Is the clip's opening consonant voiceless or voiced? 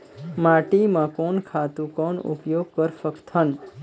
voiced